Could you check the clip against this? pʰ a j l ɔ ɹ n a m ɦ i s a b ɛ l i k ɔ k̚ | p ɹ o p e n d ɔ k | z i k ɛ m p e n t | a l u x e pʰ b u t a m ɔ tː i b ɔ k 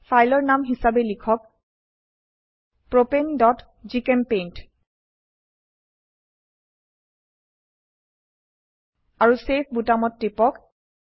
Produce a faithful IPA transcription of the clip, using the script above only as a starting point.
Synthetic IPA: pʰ a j l ɔ ɹ n a m ɦ i s a b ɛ l i kʰ ɔ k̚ | p ɹ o p e n d ɔ t | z i k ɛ m p e n t | a ɹ u s e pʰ b u t a m ɔ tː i p ɔ k